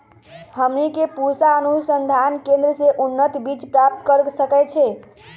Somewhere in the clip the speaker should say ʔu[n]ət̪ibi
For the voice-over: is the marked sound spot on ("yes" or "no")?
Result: no